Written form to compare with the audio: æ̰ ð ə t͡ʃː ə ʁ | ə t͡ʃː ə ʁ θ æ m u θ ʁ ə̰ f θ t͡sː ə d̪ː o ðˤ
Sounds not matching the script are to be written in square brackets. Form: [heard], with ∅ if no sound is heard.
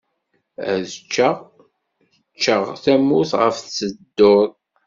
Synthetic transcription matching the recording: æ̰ ð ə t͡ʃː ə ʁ | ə t͡ʃː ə ʁ θ æ m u θ ʁ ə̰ f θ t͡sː ə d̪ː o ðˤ